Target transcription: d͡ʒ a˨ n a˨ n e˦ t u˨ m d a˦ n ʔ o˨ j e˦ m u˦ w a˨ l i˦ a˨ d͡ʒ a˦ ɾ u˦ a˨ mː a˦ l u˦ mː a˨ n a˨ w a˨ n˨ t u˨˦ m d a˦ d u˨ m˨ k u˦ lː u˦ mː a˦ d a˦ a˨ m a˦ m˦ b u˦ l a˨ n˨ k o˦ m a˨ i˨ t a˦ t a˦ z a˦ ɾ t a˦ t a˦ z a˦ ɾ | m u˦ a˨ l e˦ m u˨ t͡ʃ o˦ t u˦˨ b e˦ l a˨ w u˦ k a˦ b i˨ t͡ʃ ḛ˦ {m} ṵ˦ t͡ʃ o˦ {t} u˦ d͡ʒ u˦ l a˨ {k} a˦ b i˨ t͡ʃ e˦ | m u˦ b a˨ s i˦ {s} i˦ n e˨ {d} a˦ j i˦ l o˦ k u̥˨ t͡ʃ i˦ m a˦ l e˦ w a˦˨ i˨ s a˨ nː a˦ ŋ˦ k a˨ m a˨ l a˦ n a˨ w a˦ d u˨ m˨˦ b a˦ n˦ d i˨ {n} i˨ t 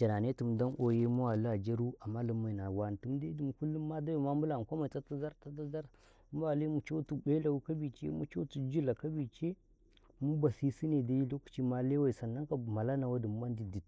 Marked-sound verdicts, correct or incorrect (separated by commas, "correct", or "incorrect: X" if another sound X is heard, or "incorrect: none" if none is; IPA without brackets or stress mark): correct, correct, correct, correct, correct, incorrect: d